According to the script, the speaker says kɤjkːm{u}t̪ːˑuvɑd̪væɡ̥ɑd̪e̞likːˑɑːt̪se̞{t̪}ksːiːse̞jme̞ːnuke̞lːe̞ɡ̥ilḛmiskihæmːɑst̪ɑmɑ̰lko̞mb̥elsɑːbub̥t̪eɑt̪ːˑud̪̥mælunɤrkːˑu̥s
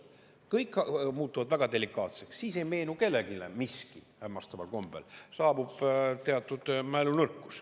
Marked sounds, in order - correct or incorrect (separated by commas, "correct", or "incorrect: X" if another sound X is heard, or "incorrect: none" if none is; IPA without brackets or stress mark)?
incorrect: uː, incorrect: none